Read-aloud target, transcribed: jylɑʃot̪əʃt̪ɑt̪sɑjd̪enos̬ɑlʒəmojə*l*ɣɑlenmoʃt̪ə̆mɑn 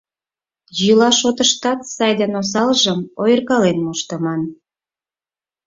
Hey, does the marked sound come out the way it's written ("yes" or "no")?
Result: no